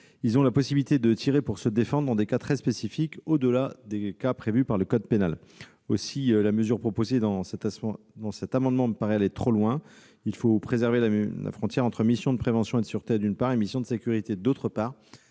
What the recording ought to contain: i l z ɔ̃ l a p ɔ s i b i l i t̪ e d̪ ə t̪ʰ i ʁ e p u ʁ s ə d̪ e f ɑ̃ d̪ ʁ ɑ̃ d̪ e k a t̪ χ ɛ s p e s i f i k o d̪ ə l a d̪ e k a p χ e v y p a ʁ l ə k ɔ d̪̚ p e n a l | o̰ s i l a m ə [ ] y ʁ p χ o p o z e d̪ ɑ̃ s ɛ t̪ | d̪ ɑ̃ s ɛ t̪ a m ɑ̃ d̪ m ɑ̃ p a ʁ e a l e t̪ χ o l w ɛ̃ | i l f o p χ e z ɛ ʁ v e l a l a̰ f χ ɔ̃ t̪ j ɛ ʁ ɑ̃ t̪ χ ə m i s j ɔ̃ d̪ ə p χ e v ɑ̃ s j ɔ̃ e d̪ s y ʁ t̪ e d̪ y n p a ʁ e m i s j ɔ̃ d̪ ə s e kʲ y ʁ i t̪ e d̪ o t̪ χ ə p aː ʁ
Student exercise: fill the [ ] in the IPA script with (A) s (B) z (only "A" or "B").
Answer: B